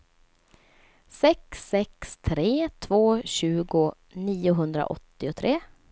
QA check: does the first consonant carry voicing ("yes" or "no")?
no